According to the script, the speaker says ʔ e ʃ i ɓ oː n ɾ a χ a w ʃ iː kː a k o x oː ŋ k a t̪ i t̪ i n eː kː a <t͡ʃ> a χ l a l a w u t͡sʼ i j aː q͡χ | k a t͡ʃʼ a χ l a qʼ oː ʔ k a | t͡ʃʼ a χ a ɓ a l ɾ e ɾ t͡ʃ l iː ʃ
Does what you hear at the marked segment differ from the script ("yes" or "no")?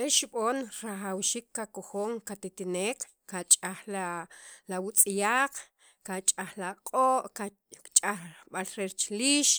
yes